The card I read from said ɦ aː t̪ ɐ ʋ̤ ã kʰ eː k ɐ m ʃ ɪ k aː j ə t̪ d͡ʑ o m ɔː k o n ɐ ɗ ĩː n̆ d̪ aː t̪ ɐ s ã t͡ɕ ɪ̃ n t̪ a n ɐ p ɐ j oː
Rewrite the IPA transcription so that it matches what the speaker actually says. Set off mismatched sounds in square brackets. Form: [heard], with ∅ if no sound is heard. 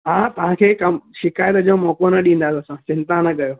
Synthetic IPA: ɦ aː t̪ ɐ ʋ̤ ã kʰ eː k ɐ m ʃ ɪ k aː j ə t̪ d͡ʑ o m ɔː k o n ɐ ɗ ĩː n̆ d̪ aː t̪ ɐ s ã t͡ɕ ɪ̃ n t̪ a n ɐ [k] ɐ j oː